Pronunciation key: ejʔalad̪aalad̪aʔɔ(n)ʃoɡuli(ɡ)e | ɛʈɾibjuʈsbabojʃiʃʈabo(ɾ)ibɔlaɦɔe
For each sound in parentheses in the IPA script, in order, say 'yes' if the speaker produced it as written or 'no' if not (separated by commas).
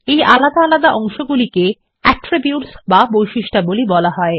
no, no, no